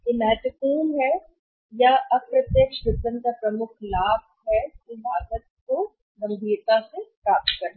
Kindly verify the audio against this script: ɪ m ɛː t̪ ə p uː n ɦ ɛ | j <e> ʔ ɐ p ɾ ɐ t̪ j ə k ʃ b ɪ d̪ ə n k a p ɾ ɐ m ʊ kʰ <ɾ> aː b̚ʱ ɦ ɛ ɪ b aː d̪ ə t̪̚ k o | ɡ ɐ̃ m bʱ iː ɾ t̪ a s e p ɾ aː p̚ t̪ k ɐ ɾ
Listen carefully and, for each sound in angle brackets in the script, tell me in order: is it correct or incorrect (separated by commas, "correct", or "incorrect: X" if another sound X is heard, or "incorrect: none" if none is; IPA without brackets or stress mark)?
incorrect: a, incorrect: l